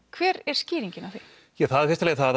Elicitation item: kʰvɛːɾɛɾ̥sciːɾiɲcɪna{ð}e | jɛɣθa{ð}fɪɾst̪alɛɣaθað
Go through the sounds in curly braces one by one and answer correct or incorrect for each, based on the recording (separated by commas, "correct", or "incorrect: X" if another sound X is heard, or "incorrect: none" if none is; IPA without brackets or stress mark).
incorrect: θ, correct